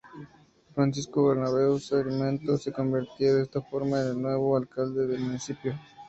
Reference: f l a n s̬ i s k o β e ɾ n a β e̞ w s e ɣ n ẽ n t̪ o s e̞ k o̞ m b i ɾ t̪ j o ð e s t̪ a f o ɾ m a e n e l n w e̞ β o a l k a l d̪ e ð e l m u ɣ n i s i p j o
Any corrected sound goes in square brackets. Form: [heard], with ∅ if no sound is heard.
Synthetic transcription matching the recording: f [ɾ] a n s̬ i s k o β e ɾ n a β e̞ w s e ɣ [m] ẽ n t̪ o s e̞ k o̞ m b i ɾ t̪ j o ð e s t̪ a f o ɾ m a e n e l n w e̞ β o a l k a l d̪ e ð e l m u [∅] n i s i p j o